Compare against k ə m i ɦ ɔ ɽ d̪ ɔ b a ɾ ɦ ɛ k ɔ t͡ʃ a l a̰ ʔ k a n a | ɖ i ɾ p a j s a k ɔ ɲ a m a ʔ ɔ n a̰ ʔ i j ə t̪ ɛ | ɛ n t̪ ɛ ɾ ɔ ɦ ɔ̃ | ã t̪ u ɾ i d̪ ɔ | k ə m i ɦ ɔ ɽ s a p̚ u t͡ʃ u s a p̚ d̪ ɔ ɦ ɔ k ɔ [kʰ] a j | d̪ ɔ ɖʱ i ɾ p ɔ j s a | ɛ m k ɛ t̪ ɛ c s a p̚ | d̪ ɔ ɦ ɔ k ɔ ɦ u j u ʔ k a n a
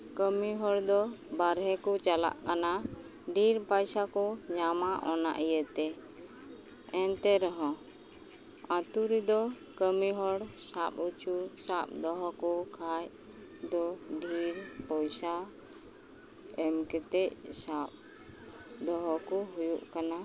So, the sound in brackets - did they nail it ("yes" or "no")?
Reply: yes